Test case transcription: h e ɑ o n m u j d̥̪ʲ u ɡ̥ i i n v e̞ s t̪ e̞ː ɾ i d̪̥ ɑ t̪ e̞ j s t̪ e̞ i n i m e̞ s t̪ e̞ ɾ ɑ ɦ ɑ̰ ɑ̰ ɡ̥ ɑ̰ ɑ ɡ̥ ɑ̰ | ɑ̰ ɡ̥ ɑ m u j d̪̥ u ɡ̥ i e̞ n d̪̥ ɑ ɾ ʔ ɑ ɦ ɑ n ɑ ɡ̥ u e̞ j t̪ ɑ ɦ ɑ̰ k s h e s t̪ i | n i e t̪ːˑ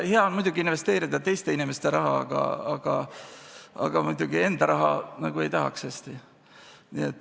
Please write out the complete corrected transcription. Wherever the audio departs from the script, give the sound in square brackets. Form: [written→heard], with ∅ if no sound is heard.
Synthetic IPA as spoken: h e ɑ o n m u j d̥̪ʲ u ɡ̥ i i n v e̞ s t̪ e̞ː ɾ i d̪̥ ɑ t̪ e̞ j s t̪ e̞ i n i m e̞ s t̪ e̞ ɾ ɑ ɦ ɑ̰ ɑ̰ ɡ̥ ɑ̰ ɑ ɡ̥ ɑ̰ | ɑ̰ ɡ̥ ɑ m u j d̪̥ u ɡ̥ i e̞ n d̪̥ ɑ ɾ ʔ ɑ ɦ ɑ n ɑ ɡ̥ u e̞ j t̪ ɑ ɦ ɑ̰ k s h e s t̪ i | n i e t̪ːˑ